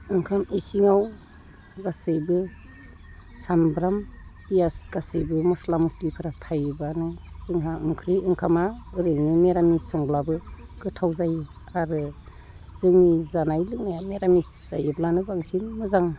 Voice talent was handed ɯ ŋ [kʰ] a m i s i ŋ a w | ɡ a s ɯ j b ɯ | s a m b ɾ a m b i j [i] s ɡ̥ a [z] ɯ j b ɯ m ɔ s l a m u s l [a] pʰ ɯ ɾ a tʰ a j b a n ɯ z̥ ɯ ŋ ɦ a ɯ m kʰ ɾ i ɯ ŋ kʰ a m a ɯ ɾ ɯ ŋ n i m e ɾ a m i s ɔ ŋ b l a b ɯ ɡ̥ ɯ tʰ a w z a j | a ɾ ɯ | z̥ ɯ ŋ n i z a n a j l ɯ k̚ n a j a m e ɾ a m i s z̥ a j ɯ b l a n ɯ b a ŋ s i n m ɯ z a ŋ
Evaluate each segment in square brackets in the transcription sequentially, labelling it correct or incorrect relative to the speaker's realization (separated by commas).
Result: correct, incorrect, incorrect, incorrect